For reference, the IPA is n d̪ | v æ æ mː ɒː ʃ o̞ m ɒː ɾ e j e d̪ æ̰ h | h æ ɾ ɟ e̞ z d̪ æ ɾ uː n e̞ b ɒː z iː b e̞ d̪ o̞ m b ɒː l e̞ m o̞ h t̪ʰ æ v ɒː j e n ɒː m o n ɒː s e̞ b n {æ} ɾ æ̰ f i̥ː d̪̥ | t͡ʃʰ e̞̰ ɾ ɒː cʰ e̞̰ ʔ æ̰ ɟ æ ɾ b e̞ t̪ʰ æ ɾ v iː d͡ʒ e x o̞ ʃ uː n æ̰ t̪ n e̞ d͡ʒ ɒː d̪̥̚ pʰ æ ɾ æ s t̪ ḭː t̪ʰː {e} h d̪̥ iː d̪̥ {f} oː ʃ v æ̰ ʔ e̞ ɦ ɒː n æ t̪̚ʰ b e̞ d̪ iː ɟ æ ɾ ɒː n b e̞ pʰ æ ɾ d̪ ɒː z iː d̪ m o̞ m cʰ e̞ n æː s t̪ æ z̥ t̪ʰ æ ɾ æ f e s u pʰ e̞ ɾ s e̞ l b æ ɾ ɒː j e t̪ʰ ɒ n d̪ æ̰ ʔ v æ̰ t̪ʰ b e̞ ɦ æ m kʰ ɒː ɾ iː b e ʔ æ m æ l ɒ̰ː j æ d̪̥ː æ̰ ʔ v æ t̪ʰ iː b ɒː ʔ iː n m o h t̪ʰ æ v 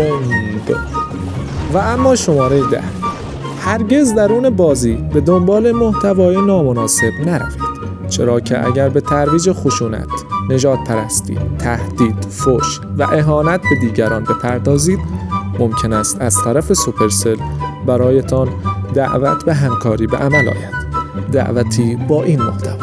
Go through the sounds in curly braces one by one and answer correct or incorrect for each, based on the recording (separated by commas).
correct, incorrect, correct